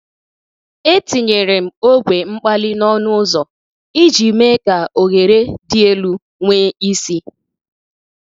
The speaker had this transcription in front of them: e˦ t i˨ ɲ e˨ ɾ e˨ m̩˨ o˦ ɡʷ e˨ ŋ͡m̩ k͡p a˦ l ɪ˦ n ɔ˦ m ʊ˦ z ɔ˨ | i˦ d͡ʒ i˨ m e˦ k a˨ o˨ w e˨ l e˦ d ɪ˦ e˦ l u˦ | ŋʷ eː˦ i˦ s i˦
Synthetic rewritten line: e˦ t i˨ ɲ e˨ ɾ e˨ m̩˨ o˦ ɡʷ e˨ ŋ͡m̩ k͡p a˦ l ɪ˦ n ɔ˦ n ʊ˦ z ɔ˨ | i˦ d͡ʒ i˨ m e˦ k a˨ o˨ ɣ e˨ ɾ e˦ d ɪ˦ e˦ l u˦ | ŋʷ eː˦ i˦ s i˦